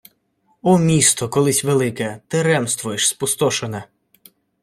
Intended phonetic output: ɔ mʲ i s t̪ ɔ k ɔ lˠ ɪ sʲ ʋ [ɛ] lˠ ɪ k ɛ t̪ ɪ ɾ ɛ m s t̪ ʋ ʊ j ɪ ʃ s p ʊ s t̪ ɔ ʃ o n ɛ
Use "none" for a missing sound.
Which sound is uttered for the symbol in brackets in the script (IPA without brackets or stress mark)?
e